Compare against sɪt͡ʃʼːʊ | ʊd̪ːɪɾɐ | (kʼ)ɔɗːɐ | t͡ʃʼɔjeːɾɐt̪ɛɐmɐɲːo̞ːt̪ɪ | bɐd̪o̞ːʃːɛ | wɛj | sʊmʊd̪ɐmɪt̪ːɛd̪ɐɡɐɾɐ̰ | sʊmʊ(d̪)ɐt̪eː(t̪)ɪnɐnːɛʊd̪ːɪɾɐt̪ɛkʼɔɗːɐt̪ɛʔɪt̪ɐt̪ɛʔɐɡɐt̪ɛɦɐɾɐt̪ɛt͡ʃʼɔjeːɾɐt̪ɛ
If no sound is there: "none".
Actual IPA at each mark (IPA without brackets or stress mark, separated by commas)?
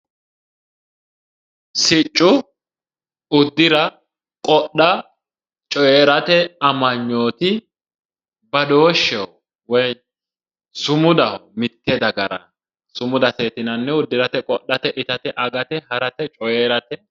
kʼ, d̪, t̪